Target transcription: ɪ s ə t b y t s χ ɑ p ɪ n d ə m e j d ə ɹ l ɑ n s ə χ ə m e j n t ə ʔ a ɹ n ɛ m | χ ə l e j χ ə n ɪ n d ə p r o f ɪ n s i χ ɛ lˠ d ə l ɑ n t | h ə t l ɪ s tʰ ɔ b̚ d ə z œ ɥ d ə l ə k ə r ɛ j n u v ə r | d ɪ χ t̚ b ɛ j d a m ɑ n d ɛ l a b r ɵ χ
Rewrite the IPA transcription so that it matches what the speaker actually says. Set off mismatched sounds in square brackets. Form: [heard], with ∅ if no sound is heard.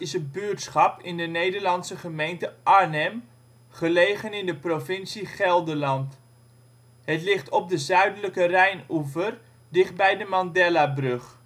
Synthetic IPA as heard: ɪ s ə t b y t s χ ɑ p ɪ n d ə [n] e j d ə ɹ l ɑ n s ə χ ə m e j n t ə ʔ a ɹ n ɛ m | χ ə l e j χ ə n ɪ n d ə p r o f ɪ n s i χ ɛ lˠ d ə l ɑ n t | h ə t l ɪ [χ] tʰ ɔ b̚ d ə z œ ɥ d ə l ə k ə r ɛ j n u v ə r | d ɪ χ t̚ b ɛ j d [ə] m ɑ n d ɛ l a b r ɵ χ